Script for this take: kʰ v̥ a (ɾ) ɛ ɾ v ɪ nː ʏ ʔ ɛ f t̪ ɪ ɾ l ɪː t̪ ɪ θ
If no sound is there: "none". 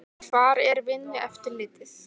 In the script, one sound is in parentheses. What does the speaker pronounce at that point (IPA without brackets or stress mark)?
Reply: ɾ